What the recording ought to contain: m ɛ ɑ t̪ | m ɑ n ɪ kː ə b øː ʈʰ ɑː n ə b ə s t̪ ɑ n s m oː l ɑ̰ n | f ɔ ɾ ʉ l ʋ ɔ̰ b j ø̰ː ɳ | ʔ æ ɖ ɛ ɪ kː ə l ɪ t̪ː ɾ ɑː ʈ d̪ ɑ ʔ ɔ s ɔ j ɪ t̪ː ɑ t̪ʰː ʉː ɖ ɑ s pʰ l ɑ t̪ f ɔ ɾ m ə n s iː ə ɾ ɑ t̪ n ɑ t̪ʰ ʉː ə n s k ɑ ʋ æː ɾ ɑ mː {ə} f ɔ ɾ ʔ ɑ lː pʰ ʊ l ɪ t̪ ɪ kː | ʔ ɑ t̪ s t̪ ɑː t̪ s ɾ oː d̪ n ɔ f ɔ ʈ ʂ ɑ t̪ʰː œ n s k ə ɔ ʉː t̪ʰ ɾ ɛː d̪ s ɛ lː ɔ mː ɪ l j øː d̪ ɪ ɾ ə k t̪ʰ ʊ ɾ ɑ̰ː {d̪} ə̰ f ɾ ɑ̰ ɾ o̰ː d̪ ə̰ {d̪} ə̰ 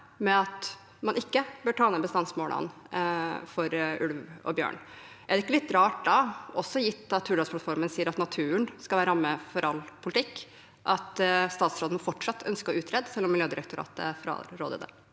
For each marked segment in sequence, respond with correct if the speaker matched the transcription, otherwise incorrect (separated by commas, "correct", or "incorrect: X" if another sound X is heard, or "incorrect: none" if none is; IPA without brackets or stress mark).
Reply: correct, incorrect: t̪, correct